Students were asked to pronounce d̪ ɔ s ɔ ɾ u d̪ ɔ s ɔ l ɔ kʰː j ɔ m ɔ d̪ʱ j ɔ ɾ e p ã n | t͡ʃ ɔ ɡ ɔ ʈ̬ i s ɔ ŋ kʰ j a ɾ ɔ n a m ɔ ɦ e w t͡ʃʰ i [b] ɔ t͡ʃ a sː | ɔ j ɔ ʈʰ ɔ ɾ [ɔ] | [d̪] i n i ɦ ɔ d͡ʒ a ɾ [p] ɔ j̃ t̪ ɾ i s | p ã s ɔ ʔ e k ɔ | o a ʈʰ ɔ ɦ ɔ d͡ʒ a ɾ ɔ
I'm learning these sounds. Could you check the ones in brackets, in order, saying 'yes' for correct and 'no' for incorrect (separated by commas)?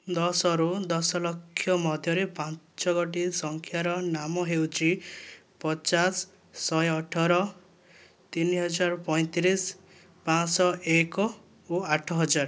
no, yes, no, yes